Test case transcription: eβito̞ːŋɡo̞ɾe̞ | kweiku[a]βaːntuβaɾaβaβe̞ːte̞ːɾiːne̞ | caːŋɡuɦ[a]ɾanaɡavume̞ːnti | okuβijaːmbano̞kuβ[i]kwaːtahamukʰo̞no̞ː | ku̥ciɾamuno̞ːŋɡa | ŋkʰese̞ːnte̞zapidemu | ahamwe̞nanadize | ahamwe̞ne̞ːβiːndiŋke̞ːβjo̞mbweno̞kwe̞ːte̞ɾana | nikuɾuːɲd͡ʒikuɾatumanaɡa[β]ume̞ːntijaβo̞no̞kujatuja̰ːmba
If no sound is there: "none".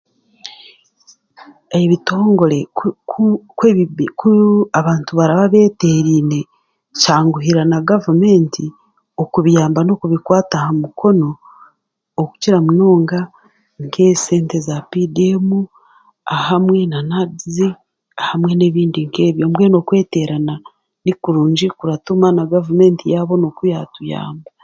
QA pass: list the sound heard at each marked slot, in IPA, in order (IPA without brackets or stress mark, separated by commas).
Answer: a, i, i, v